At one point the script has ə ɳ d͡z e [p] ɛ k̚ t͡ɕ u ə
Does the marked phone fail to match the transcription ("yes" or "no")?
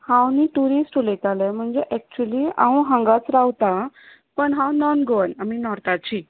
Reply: yes